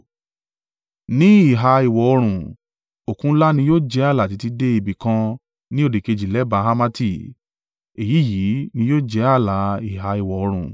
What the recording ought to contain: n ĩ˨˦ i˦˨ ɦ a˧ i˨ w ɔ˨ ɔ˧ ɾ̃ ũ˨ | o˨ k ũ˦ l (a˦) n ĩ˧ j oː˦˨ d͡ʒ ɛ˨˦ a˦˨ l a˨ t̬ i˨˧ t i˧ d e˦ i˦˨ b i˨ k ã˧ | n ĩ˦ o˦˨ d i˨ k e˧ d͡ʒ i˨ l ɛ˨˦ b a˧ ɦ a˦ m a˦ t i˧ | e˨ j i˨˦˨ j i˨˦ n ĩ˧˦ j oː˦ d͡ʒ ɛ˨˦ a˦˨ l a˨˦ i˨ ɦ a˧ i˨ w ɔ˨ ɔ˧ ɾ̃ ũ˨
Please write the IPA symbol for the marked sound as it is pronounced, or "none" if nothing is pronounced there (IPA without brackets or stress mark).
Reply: a˦